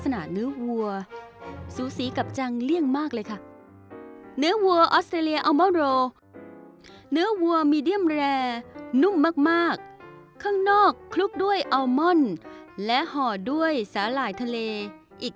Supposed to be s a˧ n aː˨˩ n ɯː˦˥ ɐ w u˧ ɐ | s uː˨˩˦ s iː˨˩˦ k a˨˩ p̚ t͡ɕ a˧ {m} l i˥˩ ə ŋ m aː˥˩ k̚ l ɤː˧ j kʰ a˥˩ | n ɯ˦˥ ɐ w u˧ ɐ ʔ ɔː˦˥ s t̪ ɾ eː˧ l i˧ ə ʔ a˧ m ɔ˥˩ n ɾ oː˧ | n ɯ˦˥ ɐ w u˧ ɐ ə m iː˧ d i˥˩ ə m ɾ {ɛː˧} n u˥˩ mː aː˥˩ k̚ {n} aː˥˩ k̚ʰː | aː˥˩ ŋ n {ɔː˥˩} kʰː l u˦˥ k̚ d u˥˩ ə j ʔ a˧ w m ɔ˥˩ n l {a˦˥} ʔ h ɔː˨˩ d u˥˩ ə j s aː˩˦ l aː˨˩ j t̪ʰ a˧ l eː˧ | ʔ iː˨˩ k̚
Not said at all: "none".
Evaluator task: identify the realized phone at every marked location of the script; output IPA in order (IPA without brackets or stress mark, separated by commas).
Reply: ŋ, ɛː˧, m, ɔː˥˩, ɛ˦˥